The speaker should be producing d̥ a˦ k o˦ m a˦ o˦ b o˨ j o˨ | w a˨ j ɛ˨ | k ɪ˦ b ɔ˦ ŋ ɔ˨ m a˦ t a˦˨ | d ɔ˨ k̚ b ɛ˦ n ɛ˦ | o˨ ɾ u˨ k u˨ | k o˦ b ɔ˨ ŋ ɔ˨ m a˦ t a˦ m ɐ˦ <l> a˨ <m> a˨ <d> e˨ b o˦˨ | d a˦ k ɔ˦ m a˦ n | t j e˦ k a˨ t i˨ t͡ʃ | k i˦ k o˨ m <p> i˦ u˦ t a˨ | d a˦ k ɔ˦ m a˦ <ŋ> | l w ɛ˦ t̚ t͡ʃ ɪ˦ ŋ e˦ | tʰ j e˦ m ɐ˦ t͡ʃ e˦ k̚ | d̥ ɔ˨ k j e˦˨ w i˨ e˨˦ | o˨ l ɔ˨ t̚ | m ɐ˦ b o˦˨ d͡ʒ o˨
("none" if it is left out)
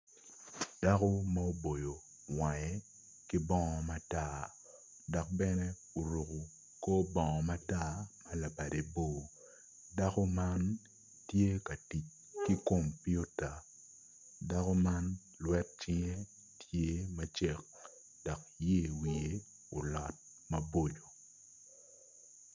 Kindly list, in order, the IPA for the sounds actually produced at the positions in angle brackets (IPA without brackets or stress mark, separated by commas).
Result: l, b, d, p, n